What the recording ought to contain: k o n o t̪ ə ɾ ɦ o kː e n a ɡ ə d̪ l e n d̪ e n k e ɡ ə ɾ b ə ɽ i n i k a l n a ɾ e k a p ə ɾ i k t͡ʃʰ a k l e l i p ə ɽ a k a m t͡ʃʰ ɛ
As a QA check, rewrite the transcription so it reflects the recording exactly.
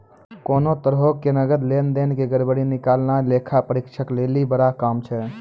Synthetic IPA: k o n o t̪ ə ɾ ɦ o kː e n ə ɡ ə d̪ l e n d̪ e n k e ɡ ə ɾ b ə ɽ i n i k a l n a l e kʰ a p ə ɾ i k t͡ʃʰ ə k l e l i b ə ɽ a k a m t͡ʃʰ ɛ

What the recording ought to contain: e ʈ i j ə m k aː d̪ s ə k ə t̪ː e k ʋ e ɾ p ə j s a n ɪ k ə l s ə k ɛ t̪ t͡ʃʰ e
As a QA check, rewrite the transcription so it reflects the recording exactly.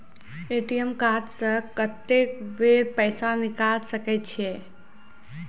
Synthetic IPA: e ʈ i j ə m k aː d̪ s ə k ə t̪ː e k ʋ e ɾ p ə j s a n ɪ k a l s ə k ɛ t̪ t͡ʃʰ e

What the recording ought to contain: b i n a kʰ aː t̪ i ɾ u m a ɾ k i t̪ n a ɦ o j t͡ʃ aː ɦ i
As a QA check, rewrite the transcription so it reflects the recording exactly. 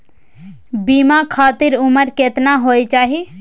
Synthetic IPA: b i m a kʰ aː t̪ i ɾ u m ə ɾ k e t̪ n a ɦ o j t͡ʃ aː ɦ i

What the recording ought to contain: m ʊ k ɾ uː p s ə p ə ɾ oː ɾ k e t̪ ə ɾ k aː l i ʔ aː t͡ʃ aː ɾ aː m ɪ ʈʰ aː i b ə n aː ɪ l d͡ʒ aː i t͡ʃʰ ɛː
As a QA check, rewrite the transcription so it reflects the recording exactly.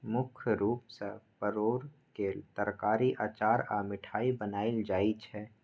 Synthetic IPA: m ʊ kʰ ɾ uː p s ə p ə ɾ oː ɾ k e t̪ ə ɾ k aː ɾ i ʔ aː t͡ʃ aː ɾ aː m ɪ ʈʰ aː i b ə n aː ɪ l d͡ʒ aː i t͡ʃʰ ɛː

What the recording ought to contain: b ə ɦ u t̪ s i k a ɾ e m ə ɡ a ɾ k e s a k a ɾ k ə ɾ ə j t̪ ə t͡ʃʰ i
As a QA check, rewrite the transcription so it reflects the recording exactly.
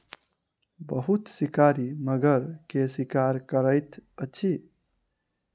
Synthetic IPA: b ə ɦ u t̪ s i k a ɾ i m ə ɡ ə ɾ k e s i k a ɾ k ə ɾ ə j t̪ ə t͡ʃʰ i

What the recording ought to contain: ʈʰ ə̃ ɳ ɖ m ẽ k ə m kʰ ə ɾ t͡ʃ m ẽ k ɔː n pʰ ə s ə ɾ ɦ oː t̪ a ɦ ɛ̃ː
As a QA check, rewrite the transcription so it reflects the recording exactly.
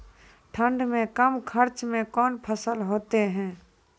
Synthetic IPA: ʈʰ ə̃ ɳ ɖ m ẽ k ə m kʰ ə ɾ t͡ʃ m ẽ k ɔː n pʰ ə s ə l ɦ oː t̪ e ɦ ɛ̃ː

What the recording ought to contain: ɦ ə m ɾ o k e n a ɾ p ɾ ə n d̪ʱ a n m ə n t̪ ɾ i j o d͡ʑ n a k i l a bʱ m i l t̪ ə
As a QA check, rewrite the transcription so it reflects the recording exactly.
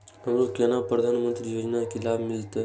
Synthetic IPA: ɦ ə m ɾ o k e n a p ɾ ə d̪ʱ a n m ə n t̪ ɾ i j o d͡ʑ n a k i l a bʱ m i l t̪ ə

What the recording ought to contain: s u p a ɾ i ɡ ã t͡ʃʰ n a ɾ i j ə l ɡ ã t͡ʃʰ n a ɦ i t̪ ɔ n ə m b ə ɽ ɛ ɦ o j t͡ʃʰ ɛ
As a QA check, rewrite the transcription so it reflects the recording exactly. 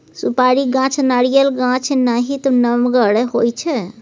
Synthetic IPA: s u p a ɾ i ɡ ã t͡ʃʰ n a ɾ i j ə l ɡ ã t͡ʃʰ n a ɦ i t̪ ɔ n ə m ɡ ə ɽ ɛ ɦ o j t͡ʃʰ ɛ

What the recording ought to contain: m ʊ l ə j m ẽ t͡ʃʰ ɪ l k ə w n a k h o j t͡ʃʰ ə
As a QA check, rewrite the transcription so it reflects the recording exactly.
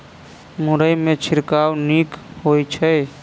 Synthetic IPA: m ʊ ɾ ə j m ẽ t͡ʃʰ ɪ ɾ k a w n i k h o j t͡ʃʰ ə

